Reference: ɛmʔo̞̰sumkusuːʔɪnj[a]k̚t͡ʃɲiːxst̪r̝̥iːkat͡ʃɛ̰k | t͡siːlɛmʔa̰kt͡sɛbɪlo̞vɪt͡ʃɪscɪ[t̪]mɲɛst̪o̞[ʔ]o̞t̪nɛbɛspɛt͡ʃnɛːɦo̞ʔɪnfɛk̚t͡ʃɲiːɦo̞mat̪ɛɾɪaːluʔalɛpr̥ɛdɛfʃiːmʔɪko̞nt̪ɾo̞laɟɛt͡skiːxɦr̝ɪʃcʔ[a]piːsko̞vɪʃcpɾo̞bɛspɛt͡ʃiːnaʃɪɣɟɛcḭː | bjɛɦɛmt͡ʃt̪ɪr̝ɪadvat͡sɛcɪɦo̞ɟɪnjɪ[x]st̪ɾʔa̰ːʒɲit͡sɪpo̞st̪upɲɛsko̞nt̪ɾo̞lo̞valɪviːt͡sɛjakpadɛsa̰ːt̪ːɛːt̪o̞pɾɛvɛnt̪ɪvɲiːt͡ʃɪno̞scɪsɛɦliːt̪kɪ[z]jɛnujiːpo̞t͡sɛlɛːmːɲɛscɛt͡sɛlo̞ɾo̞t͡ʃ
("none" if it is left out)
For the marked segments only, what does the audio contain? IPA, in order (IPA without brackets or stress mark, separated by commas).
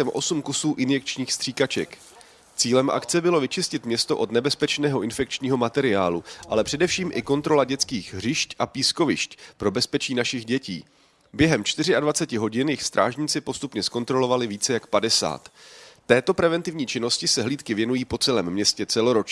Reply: ɛ, t̪, ʔ, a, x, v